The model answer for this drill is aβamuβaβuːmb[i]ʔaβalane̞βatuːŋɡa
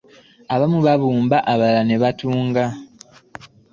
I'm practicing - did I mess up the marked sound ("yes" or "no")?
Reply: yes